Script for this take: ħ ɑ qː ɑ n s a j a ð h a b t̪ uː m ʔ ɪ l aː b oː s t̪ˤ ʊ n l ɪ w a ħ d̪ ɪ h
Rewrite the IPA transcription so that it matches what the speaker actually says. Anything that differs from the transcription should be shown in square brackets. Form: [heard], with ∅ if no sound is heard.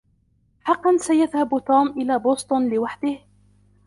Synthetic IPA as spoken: ħ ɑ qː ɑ n s a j a ð h a b t̪ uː m ʔ ɪ l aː b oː s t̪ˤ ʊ n l ɪ w a ħ d̪ ɪ h